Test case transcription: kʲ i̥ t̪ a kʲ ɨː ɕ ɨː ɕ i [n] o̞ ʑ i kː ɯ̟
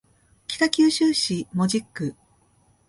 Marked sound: incorrect: m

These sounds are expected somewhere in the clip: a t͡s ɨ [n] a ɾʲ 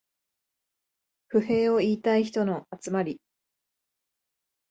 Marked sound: incorrect: m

